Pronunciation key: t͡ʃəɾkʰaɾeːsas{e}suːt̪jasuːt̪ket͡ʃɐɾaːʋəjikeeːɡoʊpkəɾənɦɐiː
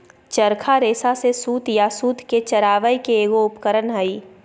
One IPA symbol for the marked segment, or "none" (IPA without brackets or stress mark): e